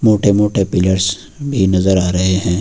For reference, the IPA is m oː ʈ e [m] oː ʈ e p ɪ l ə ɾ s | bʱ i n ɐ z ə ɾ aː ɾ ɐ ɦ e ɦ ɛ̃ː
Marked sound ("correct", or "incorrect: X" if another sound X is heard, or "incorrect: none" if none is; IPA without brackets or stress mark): correct